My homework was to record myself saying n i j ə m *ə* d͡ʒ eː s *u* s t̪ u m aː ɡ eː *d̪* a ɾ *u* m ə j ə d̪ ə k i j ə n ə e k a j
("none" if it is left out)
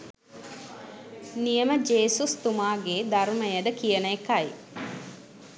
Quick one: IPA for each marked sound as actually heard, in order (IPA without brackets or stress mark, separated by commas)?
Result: ə, u, d̪, u